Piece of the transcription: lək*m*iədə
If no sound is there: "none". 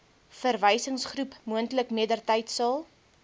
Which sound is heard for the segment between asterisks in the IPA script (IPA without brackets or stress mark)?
m